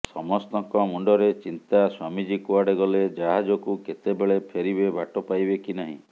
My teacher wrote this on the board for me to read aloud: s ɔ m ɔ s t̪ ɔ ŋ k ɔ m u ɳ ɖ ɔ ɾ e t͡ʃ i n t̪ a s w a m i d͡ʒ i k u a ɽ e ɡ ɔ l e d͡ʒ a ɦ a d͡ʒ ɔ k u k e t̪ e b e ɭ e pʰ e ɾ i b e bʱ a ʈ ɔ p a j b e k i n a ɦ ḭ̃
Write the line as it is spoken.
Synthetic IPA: s ɔ m ɔ s t̪ ɔ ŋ k ɔ m u ɳ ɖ ɔ ɾ e t͡ʃ i n t̪ a s w a m i d͡ʒ i k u a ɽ e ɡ ɔ l e d͡ʒ a ɦ a d͡ʒ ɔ k u k e t̪ e b e ɭ e pʰ e ɾ i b e bʱ a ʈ ɔ p a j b e k i n a ɦ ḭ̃